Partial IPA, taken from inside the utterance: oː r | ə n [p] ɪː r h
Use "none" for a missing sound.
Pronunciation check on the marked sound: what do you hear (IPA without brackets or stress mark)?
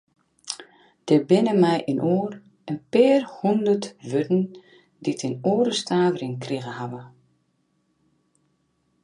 p